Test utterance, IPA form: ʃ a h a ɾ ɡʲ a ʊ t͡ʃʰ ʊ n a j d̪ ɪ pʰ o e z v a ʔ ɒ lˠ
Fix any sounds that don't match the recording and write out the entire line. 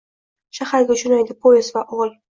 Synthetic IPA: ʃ a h a ɾ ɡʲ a ʊ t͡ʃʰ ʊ n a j d̪ ɪ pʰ o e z v a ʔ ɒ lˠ